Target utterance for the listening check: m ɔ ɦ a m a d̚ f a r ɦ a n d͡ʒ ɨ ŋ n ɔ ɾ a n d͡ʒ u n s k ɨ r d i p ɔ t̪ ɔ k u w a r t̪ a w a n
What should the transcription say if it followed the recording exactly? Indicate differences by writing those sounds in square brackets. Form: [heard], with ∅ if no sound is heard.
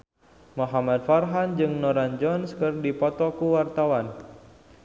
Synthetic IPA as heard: m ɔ ɦ a m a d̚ f a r ɦ a n d͡ʒ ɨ ŋ n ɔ ɾ a n d͡ʒ [ɔ] n s k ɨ r d i p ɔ t̪ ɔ k u w a r t̪ a w a n